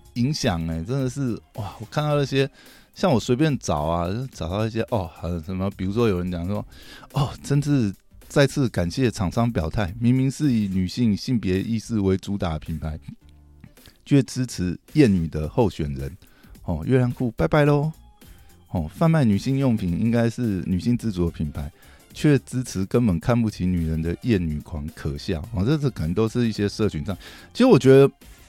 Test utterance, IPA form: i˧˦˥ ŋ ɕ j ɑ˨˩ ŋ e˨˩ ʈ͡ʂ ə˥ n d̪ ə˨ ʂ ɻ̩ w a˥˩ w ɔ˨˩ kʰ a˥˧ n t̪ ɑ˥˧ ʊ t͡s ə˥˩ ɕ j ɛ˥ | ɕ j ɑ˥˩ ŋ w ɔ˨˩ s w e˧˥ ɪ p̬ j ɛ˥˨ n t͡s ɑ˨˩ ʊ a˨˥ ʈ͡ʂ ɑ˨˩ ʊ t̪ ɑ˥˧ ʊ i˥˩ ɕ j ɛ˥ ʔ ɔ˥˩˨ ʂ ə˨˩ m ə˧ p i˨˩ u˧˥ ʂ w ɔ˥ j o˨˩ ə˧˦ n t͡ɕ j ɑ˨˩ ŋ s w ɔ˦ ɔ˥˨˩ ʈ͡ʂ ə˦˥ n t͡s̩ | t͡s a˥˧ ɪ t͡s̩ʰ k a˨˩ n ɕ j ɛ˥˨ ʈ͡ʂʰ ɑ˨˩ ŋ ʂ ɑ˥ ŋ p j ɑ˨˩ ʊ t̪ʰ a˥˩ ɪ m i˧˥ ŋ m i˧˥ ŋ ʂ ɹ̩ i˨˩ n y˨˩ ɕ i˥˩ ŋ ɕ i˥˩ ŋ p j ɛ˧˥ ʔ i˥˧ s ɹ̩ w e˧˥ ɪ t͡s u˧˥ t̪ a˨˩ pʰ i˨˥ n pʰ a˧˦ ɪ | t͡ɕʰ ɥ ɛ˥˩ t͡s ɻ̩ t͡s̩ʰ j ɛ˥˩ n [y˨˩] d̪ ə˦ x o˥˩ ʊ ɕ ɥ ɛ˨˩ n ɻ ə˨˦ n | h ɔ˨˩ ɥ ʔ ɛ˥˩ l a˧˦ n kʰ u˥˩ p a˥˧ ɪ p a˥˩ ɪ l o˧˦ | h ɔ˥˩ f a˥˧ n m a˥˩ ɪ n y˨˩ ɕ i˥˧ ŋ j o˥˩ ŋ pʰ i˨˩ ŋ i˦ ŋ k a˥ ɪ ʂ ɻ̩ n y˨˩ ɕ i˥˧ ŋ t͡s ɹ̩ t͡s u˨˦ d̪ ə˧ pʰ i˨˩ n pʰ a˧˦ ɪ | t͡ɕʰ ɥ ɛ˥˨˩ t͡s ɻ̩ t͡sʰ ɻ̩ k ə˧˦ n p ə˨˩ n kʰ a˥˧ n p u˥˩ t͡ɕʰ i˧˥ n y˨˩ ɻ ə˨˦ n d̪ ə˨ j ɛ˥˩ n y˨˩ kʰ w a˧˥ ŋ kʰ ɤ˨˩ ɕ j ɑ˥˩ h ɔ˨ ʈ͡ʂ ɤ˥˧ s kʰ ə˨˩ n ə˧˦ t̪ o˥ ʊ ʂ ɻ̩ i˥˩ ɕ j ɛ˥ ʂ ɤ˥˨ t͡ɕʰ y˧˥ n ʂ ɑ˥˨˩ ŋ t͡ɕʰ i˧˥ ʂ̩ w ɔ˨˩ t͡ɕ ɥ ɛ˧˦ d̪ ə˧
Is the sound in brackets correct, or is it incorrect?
correct